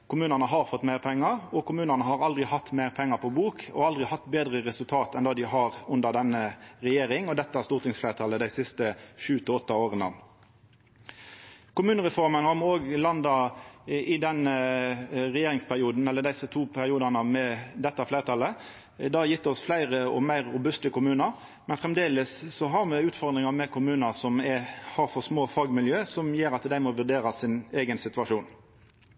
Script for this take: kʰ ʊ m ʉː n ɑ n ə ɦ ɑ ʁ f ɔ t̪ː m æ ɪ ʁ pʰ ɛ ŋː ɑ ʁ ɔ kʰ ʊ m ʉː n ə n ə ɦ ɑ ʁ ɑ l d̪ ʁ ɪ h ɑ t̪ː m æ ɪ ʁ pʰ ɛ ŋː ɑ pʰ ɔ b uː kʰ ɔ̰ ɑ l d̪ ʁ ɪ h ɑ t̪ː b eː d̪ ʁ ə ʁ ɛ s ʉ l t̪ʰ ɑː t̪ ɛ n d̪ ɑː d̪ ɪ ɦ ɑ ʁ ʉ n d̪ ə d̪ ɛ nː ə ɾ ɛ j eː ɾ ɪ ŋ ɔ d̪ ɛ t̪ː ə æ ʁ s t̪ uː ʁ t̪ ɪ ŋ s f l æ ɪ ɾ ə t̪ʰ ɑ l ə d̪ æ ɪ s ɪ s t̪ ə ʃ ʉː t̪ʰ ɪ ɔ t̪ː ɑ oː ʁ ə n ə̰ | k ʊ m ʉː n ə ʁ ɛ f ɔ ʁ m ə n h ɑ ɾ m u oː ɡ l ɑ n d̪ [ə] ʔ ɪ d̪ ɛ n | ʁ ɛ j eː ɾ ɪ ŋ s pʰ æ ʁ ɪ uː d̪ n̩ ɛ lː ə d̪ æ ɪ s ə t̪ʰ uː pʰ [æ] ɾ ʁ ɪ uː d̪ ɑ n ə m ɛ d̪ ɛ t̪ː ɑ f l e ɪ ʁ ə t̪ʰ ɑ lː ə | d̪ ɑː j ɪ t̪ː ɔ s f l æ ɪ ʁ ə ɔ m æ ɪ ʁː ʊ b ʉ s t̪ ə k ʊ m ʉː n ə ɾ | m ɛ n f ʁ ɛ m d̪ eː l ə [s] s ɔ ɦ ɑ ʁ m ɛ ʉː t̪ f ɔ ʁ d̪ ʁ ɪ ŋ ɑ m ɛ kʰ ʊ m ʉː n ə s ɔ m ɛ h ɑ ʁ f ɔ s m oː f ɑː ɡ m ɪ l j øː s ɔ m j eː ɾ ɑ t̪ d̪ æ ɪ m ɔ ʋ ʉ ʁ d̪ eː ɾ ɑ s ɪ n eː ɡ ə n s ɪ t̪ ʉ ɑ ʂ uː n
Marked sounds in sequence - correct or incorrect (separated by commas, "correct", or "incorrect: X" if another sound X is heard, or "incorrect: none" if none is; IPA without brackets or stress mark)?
incorrect: ɑ, correct, correct